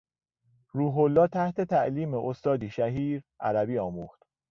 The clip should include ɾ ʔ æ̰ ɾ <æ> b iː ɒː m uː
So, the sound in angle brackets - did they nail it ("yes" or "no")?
yes